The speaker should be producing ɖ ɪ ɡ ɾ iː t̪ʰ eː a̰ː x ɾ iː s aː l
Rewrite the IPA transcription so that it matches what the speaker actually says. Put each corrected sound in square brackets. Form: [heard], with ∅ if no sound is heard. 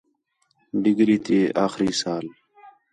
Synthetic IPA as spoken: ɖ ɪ ɡ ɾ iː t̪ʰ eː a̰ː x ɾ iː s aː l